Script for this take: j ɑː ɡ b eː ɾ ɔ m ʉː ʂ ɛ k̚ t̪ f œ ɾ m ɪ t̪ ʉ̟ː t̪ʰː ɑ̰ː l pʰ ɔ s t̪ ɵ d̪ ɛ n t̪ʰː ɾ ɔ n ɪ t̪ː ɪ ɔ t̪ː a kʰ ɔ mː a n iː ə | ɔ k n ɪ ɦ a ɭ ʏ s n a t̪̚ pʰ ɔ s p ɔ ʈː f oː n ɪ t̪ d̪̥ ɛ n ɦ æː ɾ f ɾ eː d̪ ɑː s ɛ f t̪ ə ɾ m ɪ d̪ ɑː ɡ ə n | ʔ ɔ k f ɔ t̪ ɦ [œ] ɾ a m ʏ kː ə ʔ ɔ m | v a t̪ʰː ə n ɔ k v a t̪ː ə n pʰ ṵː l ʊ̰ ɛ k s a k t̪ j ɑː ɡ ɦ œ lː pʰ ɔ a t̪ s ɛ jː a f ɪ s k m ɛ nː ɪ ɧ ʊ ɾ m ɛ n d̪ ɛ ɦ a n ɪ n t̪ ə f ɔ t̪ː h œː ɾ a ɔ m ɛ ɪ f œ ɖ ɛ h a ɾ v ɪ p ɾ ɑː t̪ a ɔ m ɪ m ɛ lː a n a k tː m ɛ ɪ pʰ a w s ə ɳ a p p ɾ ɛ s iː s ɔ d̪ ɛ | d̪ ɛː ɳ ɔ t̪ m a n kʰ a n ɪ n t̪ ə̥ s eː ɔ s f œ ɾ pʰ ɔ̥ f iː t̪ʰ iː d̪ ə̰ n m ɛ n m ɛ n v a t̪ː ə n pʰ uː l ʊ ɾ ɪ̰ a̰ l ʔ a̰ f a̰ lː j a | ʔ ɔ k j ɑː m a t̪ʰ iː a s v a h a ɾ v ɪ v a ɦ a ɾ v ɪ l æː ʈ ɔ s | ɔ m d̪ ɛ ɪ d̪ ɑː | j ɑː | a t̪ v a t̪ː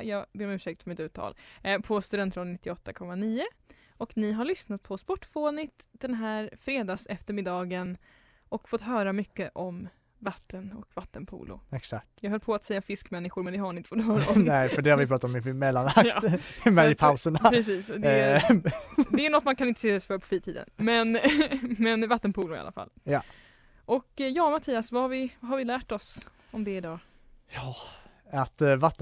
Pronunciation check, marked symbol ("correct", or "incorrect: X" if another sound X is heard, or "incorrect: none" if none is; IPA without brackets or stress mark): incorrect: œː